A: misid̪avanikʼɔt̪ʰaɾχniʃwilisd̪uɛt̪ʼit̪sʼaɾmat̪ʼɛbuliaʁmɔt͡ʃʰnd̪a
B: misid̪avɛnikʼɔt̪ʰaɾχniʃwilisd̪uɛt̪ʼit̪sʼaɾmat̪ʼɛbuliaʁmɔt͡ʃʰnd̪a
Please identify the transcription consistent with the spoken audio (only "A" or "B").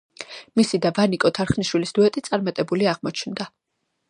A